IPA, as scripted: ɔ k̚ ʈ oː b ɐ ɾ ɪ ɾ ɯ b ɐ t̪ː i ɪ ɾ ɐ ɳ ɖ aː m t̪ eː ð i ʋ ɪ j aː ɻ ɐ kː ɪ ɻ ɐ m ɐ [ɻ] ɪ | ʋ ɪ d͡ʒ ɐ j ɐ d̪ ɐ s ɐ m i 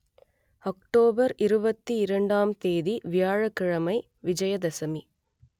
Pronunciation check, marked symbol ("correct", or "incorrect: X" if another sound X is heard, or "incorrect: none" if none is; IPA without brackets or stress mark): incorrect: none